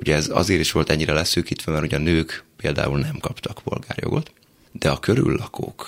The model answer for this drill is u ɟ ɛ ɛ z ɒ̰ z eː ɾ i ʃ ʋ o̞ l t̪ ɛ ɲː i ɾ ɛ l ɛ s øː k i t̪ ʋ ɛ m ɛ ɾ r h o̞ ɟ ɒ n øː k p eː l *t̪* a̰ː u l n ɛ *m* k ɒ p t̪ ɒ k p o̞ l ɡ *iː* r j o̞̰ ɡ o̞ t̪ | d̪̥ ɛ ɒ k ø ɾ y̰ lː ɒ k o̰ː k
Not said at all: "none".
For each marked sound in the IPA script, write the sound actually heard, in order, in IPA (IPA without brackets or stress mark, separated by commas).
d̪, m, aː